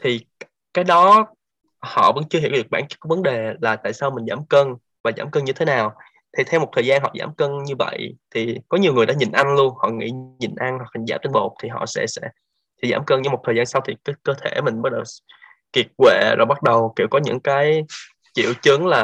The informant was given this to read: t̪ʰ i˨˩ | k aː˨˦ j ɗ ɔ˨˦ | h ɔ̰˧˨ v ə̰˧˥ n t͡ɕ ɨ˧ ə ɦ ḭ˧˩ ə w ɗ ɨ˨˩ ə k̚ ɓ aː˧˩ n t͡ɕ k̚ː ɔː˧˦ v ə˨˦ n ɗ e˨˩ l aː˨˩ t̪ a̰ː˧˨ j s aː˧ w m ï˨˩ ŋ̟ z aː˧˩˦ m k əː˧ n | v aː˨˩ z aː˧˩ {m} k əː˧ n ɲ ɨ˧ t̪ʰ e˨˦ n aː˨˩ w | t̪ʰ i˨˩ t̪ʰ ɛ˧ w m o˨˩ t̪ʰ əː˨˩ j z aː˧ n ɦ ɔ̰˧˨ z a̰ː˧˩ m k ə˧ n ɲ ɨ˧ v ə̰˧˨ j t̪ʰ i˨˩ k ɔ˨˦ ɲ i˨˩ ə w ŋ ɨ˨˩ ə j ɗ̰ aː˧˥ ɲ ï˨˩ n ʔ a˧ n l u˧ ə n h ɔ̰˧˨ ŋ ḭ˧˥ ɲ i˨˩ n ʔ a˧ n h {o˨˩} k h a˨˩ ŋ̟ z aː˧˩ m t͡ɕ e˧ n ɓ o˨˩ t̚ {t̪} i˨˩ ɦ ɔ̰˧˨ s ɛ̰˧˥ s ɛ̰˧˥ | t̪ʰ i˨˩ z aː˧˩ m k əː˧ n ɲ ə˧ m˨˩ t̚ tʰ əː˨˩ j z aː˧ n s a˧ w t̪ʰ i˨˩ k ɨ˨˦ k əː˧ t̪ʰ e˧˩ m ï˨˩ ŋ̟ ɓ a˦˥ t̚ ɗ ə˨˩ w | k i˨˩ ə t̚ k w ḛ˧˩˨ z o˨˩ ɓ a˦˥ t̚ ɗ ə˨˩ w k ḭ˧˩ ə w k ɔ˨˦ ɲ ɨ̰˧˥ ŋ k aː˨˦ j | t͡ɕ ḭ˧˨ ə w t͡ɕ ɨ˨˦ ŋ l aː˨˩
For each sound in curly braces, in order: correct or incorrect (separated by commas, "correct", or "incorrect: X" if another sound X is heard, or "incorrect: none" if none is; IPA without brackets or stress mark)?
correct, incorrect: ɔ˨˩, incorrect: t̪ʰ